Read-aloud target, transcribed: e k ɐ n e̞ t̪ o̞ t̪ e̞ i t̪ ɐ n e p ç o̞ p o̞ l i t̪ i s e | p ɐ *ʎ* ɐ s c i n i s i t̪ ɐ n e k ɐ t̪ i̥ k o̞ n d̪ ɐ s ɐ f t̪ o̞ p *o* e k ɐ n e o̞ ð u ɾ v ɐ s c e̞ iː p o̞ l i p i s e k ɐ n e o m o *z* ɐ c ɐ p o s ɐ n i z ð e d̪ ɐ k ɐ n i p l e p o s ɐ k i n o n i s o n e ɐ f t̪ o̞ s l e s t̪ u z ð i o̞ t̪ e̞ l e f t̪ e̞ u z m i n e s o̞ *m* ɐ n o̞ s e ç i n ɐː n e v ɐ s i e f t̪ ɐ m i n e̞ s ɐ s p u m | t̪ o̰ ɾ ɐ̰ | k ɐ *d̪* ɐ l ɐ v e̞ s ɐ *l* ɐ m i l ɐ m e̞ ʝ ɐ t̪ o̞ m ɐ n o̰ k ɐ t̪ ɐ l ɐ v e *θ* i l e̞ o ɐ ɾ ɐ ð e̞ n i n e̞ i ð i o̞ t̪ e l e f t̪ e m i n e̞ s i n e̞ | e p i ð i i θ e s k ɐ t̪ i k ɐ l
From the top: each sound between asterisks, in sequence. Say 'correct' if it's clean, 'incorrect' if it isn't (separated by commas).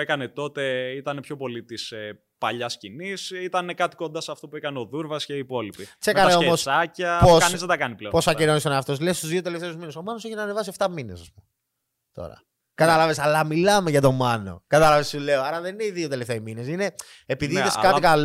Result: correct, incorrect, incorrect, correct, incorrect, correct, incorrect